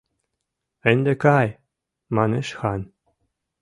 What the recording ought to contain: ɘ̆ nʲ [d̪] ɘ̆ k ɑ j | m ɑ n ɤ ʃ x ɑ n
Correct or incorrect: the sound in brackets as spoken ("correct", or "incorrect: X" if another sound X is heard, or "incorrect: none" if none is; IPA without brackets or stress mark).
correct